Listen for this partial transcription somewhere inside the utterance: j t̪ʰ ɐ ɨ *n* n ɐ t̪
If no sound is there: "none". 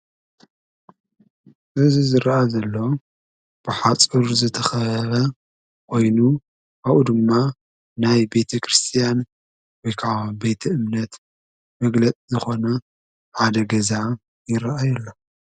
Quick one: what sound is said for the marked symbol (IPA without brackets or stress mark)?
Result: m